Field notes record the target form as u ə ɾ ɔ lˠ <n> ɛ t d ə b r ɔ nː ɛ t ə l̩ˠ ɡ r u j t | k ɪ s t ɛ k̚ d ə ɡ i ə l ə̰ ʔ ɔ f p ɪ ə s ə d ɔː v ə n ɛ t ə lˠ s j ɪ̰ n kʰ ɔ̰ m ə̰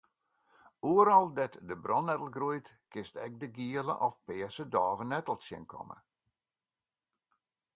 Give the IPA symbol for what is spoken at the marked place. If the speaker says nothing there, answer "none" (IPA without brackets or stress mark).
d